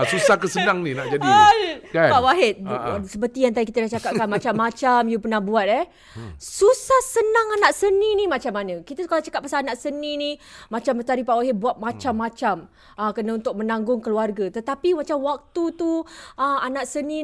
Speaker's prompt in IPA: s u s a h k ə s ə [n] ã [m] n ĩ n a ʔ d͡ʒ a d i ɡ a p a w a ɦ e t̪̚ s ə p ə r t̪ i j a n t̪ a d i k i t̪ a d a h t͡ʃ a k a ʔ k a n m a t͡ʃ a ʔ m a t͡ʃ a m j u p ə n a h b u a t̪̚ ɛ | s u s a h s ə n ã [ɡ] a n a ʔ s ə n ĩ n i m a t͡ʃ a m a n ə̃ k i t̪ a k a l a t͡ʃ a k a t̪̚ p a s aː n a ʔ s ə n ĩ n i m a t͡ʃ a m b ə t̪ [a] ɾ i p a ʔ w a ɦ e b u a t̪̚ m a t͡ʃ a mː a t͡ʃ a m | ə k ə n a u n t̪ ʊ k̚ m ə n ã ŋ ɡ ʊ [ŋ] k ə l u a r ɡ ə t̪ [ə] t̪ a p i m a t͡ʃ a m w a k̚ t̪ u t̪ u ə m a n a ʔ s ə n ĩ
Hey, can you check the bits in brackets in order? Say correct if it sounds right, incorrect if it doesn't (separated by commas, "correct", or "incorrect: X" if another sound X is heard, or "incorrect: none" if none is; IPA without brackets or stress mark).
correct, incorrect: ŋ, incorrect: ŋ, correct, correct, correct